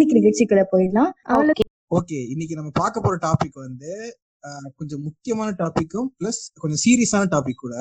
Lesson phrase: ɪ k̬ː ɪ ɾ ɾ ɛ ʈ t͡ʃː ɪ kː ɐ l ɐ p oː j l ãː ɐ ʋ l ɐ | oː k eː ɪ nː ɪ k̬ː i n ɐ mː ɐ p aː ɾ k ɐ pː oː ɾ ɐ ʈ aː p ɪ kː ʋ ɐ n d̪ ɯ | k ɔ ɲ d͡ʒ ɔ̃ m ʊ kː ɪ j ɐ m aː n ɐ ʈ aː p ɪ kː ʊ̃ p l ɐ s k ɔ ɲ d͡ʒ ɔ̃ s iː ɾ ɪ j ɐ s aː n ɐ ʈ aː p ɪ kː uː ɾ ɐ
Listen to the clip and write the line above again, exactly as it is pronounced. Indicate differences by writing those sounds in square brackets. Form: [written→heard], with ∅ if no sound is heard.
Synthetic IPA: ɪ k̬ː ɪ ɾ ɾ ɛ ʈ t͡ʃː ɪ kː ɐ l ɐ p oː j l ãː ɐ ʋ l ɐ | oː k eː ɪ nː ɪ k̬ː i n ɐ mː ɐ p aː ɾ k ɐ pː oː ɾ ɐ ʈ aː p ɪ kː ʋ ɐ n d̪ ɯ | k ɔ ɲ d͡ʒ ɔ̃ m ʊ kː ɪ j ɐ m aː n ɐ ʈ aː p ɪ kː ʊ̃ p l ɐ s k ɔ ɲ d͡ʒ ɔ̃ s iː ɾ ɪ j ɐ s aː n ɐ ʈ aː p ɪ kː uː [ɾ→ɽ] ɐ